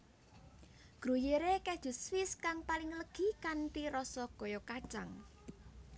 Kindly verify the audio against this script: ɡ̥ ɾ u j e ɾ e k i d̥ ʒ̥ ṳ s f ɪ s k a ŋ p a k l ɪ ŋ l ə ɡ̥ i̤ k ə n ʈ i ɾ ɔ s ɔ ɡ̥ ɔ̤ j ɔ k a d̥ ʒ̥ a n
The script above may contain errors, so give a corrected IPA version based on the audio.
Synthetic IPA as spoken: ɡ̥ ɾ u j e ɾ e k ɛ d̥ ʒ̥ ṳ s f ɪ s k a ŋ p a l ɪ ŋ l ə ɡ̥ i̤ k a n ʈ i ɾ ɔ s ɔ ɡ̥ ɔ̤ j ɔ k a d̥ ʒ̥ a ŋ